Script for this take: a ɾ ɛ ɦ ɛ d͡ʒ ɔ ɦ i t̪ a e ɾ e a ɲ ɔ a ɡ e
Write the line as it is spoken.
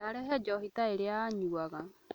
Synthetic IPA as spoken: a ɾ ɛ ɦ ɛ d͡ʒ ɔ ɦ i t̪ a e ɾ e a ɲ u a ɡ a